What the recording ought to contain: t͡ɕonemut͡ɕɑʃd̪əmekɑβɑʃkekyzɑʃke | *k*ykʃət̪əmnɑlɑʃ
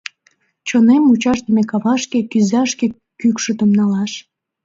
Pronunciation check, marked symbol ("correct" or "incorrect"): correct